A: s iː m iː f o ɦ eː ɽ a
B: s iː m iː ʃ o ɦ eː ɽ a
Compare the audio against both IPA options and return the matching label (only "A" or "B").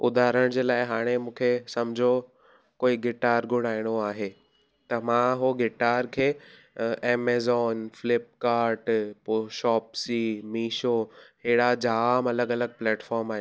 B